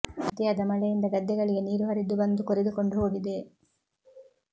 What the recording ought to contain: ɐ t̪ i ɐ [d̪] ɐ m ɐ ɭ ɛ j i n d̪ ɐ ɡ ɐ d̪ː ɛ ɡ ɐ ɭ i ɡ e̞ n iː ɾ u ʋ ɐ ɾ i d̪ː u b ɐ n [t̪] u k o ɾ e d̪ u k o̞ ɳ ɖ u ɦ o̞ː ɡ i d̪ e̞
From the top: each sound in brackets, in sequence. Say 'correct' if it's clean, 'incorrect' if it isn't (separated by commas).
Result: correct, incorrect